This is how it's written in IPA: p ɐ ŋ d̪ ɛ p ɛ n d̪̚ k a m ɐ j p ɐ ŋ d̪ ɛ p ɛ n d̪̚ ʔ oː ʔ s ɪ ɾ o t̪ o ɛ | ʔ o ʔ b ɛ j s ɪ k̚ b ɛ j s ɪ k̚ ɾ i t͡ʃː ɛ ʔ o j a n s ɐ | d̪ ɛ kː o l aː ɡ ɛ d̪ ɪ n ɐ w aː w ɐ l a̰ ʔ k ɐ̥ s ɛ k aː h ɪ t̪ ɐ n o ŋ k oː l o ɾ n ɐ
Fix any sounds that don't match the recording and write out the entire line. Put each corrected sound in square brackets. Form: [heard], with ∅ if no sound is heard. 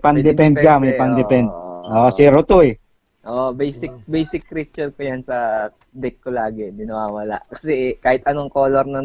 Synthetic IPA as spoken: p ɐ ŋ d̪ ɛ p ɛ n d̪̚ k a m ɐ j p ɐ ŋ d̪ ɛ p ɛ n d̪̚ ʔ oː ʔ s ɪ ɾ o t̪ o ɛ | ʔ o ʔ b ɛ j s ɪ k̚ b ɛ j s ɪ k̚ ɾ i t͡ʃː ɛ [k] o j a n s ɐ | d̪ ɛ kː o l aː ɡ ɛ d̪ ɪ n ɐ w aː w ɐ l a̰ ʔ k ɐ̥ s ɛ k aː h ɪ t̪ ɐ n o ŋ k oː l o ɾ n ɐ